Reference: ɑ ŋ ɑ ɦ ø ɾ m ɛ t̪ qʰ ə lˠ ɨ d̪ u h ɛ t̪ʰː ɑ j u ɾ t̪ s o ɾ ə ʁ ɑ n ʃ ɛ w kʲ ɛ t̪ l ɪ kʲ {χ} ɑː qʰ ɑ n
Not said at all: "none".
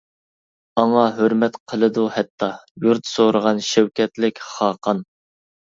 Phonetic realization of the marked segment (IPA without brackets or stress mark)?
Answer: χ